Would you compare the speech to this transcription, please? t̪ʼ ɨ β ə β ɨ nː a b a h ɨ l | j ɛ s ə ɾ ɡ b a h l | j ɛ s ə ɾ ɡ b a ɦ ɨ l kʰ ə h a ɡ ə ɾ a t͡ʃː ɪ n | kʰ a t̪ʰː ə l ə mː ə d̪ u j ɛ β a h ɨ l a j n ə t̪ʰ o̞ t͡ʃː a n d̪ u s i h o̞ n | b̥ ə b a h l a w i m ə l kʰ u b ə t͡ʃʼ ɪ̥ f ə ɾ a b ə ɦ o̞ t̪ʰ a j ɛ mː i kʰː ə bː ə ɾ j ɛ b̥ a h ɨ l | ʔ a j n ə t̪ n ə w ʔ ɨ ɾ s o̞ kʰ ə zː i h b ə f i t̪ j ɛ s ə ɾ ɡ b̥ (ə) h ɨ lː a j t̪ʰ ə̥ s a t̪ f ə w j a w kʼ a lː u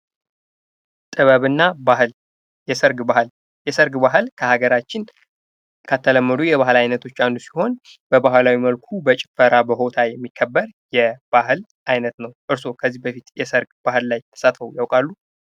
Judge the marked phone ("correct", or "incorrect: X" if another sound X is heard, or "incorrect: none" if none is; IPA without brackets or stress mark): incorrect: a